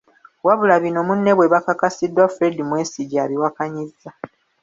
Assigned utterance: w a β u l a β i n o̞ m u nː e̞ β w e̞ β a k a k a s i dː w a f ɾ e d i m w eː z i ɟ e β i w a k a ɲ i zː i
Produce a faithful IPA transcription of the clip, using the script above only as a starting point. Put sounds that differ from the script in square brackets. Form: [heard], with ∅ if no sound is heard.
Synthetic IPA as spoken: w a β u l a β i n o̞ m u nː e̞ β w e̞ β a k a k a s i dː w a f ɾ e d i m w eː [s] i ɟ [a] β i w a k a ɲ i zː [a]